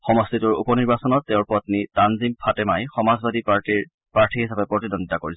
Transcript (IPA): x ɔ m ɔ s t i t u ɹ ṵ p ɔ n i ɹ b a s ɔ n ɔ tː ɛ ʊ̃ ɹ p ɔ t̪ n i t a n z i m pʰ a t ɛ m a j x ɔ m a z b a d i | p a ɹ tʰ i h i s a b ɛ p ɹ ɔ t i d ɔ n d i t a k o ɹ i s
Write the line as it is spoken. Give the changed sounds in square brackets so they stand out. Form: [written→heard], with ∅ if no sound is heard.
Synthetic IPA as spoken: x ɔ m ɔ s t i t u ɹ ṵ p ɔ n i ɹ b a s ɔ n ɔ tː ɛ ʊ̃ ɹ p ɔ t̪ n i t a n z i m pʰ a t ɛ m a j x ɔ m a z b a d i | p a ɹ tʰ i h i s a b ɛ p ɹ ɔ t i d ɔ n d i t a k o ɹ i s